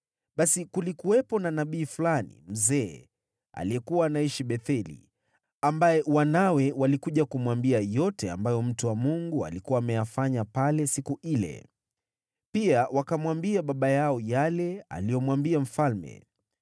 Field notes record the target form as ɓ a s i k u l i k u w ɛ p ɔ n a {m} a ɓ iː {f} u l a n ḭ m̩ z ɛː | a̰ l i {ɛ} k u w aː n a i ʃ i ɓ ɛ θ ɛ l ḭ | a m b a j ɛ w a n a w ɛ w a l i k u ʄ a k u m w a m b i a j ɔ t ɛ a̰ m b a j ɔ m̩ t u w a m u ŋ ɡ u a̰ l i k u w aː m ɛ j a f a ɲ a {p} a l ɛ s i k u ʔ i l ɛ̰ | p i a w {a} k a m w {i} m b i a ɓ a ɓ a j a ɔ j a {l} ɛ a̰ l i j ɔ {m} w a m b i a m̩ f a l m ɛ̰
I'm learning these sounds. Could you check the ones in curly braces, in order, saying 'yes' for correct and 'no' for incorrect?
no, yes, yes, yes, yes, no, yes, yes

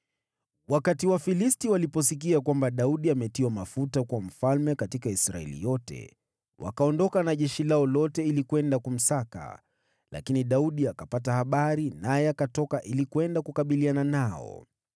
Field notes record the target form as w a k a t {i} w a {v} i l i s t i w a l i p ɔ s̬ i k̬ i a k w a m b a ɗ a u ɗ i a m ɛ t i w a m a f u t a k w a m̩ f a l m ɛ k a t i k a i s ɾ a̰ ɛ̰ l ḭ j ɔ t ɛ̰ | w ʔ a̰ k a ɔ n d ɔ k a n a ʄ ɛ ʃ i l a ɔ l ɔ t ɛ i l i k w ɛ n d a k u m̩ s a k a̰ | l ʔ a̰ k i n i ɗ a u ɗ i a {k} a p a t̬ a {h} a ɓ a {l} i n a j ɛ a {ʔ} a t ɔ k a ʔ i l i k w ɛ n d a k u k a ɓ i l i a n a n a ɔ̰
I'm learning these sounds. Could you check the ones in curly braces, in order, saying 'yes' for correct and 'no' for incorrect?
yes, no, yes, yes, no, no

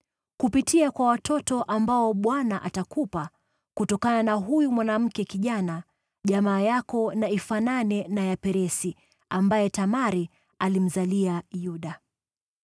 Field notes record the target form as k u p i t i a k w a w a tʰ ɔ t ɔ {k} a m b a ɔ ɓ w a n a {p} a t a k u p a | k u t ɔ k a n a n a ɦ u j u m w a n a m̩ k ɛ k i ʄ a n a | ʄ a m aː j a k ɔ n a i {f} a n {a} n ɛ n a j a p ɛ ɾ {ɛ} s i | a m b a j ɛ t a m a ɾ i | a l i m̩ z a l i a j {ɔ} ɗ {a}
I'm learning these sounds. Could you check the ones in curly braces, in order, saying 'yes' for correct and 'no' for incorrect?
no, no, yes, yes, yes, no, yes

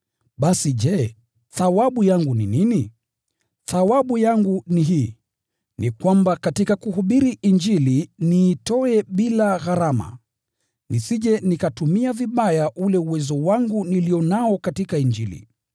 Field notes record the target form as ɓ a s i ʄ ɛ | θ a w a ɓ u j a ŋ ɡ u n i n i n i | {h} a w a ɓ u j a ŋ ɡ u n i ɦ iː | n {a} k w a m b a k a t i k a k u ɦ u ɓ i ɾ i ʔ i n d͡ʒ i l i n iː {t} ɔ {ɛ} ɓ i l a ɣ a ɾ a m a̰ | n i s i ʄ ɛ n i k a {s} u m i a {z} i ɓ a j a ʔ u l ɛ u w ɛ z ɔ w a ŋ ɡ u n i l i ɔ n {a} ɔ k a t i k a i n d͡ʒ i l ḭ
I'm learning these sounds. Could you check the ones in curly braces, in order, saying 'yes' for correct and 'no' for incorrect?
no, no, yes, yes, no, no, yes

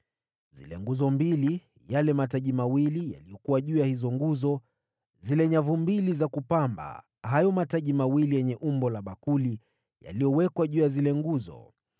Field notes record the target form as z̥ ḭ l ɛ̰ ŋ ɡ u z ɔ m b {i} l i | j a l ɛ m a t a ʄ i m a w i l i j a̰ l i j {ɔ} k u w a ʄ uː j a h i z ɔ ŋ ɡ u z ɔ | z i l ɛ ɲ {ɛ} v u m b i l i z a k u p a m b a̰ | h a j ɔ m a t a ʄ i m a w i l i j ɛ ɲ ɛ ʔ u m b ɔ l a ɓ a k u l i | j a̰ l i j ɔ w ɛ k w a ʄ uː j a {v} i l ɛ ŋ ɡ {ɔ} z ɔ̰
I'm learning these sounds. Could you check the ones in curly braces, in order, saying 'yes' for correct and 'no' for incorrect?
yes, yes, no, no, no

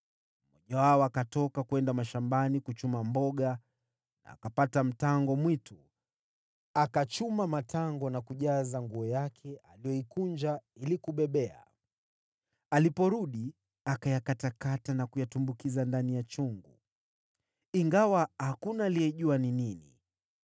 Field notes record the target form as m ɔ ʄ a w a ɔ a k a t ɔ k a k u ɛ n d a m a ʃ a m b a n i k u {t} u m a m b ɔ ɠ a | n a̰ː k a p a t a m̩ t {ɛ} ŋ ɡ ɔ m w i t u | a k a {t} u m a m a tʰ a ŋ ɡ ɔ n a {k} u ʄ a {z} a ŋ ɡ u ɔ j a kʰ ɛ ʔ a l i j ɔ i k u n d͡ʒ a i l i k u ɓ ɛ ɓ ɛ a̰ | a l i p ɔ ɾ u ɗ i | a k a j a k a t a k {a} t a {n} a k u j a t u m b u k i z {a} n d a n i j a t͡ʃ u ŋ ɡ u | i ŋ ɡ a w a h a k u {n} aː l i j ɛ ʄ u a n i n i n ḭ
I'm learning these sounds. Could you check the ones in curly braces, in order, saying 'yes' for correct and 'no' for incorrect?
no, no, no, yes, yes, yes, yes, yes, yes

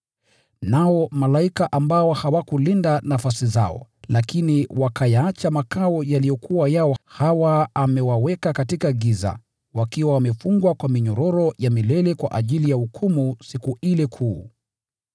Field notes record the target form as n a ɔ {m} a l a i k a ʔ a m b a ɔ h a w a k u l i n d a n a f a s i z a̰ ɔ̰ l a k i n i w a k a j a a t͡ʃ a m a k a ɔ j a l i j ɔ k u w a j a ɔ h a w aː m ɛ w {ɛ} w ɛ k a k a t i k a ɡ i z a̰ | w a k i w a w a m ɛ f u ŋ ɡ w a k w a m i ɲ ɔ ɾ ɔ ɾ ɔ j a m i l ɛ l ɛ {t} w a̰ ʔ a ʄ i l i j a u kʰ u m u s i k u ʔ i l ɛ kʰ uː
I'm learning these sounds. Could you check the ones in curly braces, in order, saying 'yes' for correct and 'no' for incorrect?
yes, no, no

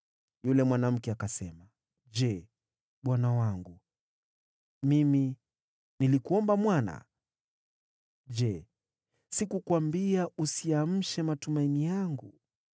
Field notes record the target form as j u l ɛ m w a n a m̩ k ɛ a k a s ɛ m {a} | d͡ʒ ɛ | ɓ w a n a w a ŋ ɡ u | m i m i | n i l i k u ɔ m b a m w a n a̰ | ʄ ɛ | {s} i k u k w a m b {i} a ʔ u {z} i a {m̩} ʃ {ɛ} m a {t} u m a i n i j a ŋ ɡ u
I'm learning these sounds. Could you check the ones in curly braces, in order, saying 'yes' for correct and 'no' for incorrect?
yes, yes, yes, no, yes, yes, yes

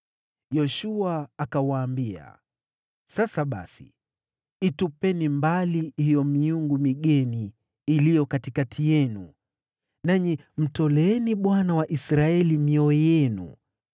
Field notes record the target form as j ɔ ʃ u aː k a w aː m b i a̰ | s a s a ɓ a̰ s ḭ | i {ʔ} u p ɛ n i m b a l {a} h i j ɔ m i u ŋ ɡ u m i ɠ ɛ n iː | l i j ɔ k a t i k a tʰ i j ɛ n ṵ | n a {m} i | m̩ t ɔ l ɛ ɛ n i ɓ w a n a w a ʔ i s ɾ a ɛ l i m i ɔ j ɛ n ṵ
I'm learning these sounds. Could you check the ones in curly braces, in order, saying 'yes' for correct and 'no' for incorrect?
no, no, no

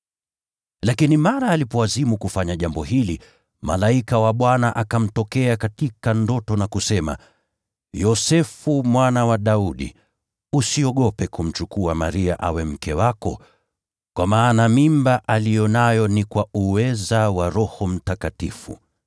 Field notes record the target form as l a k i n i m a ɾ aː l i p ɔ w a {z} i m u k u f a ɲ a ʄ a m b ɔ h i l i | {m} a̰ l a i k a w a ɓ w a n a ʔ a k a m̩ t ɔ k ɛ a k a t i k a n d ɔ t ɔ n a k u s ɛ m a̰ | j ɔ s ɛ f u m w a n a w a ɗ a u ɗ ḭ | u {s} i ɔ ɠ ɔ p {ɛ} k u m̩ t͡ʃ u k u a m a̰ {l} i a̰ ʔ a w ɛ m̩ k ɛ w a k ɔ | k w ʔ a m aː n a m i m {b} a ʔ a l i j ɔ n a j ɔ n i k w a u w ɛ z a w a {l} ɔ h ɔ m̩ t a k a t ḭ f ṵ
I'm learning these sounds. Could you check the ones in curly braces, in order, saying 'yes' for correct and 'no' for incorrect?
yes, yes, yes, yes, no, yes, no

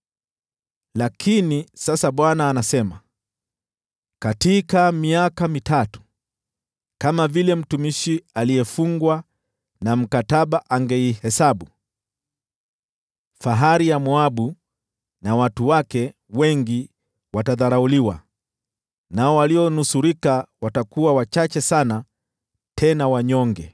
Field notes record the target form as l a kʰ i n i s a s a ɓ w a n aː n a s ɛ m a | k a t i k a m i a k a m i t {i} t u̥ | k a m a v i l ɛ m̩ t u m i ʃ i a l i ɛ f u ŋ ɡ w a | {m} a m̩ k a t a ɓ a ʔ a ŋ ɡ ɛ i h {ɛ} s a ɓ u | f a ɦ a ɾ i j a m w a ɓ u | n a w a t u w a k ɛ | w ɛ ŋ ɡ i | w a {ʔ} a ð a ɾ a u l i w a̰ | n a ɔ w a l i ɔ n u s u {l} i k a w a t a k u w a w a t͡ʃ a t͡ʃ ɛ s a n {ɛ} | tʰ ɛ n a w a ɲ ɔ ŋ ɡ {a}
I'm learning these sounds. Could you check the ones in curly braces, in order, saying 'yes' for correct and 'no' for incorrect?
no, no, yes, no, no, no, no

